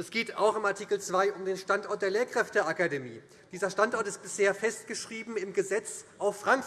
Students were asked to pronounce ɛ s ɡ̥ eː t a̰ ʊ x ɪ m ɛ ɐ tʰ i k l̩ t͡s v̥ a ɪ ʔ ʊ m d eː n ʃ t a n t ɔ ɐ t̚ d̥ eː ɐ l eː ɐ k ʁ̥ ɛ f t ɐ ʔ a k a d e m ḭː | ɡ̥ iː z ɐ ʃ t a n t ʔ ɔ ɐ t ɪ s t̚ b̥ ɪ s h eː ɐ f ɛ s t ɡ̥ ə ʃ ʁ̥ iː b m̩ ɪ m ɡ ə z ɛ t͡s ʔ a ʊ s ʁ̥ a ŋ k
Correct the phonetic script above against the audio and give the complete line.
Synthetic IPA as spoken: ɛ s ɡ̥ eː t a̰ ʊ x ɪ m a ɐ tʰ i k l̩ t͡s v̥ a ɪ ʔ ʊ m d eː n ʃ t a n t ɔ ɐ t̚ d̥ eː ɐ l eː ɐ k ʁ̥ ɛ f t ə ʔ a k a d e m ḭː | d̥ iː z ɐ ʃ t a n t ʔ ɔ ɐ t ɪ s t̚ b̥ ɪ s h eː ɐ f ɛ s t ɡ̥ ə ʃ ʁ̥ iː b m̩ ɪ m ɡ ə z ɛ t͡s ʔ a ʊ f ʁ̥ a ŋ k